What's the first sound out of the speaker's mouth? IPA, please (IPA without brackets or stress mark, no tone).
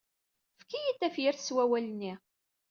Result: f